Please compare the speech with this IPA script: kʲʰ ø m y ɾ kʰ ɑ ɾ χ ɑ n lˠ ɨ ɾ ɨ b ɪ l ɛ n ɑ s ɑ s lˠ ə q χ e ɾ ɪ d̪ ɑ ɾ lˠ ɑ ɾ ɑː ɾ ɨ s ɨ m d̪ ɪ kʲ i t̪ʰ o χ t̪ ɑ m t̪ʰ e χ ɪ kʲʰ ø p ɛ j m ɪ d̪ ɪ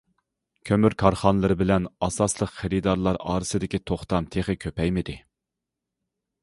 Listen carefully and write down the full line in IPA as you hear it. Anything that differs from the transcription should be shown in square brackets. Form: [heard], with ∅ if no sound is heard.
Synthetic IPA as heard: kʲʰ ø m y ɾ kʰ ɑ ɾ χ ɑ n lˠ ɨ ɾ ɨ b ɪ l ɛ n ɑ s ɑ s lˠ ə q χ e ɾ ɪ d̪ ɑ ɾ lˠ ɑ ɾ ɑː ɾ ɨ s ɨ [∅] d̪ ɪ kʲ i t̪ʰ o χ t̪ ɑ m t̪ʰ e χ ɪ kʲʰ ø p ɛ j m ɪ d̪ ɪ